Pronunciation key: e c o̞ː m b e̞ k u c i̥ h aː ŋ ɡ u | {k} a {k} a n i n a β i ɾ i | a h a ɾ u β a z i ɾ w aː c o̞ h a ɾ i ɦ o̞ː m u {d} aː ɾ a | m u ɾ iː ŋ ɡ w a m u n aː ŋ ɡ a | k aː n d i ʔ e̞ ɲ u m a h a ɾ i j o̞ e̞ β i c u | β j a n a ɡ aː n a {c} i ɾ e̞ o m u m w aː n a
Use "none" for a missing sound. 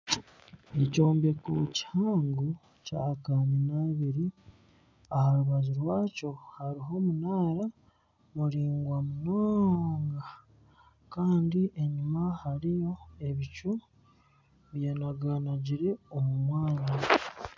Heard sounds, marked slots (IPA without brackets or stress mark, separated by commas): c, k, n, ɟ